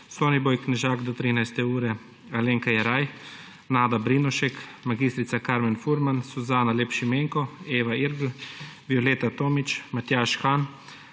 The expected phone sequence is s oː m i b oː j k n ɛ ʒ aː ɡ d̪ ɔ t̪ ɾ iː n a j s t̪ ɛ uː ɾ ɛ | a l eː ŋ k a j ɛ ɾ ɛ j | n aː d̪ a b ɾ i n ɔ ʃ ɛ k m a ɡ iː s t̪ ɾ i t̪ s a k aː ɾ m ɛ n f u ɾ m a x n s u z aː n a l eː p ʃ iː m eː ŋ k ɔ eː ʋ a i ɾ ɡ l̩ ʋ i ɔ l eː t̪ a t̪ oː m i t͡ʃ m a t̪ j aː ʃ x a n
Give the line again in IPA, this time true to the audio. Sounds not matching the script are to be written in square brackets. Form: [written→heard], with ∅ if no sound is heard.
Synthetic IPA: s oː [m→n] i b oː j k n ɛ ʒ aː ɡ d̪ ɔ t̪ ɾ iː n a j s t̪ ɛ uː ɾ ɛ | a l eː ŋ k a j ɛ ɾ [ɛ→a] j | n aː d̪ a b ɾ i n ɔ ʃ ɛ k m a ɡ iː s t̪ ɾ i t̪ s a k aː ɾ m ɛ n f u ɾ m a [x→∅] n s u z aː n a l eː p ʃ [iː→i] m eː ŋ k ɔ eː ʋ a i ɾ ɡ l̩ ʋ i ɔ l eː t̪ a t̪ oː m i t͡ʃ m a t̪ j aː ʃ x a n